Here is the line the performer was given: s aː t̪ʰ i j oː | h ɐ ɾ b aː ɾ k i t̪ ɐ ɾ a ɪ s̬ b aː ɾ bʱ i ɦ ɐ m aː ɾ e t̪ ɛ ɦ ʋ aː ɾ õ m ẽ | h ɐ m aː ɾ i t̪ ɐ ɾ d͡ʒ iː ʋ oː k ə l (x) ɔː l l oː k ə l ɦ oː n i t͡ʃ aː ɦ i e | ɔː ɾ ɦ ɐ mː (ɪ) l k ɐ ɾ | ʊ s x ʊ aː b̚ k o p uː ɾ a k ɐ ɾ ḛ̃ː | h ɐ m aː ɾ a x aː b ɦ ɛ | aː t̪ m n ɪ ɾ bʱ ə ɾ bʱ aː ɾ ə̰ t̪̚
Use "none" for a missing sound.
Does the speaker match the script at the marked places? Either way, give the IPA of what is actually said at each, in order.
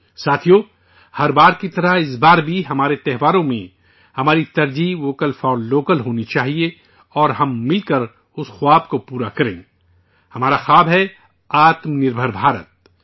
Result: f, ɪ

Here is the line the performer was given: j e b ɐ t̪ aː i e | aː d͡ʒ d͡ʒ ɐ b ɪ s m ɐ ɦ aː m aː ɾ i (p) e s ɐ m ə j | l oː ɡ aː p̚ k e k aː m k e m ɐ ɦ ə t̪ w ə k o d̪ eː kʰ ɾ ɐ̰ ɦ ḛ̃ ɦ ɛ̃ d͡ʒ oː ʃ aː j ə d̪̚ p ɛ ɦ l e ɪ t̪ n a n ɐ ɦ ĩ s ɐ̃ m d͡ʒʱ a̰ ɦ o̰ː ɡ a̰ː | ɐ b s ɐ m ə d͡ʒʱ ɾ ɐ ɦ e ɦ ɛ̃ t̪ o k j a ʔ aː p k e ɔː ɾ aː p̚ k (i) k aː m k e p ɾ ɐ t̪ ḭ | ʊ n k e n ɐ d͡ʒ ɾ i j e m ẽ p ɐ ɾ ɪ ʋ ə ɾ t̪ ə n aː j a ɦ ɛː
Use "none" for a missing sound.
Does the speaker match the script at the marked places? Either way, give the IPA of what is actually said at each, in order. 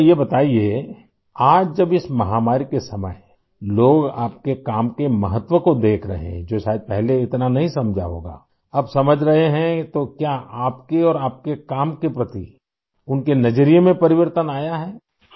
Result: k, e

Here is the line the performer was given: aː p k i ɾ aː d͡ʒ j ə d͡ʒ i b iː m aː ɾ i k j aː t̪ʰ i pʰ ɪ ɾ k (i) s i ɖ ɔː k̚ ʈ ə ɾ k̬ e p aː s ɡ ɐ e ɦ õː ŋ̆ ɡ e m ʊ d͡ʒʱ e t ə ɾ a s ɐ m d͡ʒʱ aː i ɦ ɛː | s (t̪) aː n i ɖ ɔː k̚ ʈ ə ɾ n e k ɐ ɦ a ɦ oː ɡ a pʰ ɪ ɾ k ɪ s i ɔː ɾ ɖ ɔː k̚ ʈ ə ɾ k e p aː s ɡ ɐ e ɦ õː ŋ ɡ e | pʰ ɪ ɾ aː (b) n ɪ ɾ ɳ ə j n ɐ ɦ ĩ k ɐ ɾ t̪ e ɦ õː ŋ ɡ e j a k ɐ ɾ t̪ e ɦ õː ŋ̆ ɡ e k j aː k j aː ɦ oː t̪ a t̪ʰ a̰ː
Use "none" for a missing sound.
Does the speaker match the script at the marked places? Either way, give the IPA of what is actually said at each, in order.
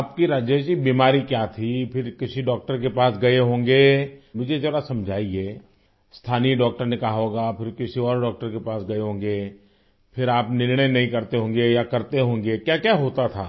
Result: ɪ, t̪ʰ, p

